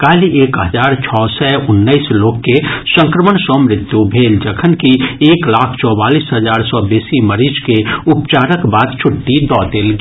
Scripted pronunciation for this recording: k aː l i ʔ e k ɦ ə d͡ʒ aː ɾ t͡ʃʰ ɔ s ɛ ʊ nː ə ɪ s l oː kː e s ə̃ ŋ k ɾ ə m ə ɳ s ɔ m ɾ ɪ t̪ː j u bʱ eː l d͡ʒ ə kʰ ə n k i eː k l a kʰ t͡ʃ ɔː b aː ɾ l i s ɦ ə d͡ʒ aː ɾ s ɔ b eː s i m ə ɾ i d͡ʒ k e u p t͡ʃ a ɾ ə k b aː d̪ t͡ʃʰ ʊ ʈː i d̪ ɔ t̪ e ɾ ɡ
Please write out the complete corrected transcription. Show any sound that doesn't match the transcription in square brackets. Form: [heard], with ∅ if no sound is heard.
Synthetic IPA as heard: k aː l i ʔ e k ɦ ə d͡ʒ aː ɾ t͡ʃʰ ɔ s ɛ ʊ nː ə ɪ s l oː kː e s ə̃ ŋ k ɾ ə m ə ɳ s ɔ m ɾ ɪ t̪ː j u bʱ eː l d͡ʒ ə kʰ ə n k i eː k l a kʰ t͡ʃ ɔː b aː [∅] l i s ɦ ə d͡ʒ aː ɾ s ɔ b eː s i m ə ɾ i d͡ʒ k e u p t͡ʃ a ɾ ə k b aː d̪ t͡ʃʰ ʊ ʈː i d̪ ɔ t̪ e [l] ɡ